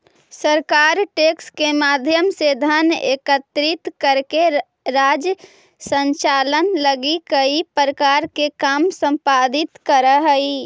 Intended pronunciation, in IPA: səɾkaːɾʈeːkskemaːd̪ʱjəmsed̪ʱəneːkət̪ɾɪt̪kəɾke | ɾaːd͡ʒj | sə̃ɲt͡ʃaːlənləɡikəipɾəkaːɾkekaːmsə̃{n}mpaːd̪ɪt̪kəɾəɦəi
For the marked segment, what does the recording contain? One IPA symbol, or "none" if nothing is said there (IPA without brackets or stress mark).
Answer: none